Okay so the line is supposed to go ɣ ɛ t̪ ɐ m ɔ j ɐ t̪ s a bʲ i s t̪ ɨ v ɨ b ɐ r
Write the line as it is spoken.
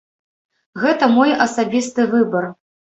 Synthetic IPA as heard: ɣ ɛ t̪ ɐ m ɔ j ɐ s a bʲ i s t̪ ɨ v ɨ b ɐ r